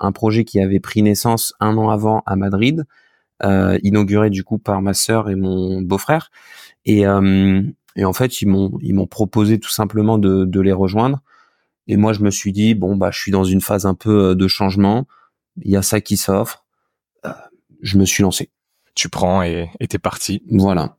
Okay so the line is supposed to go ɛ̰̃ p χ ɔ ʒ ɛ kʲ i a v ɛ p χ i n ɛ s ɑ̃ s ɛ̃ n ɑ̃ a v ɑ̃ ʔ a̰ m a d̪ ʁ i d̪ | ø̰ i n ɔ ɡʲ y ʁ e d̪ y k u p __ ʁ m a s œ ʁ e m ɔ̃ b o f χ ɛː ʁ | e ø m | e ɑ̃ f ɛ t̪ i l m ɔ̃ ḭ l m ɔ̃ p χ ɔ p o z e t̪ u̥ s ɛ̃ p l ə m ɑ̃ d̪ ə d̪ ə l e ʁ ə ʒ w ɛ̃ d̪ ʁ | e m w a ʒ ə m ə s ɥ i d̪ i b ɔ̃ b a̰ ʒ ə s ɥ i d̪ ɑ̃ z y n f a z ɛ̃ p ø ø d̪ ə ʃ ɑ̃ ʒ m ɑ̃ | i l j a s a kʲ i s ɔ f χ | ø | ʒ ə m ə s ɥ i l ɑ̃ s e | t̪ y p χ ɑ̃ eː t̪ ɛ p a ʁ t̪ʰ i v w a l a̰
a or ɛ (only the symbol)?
a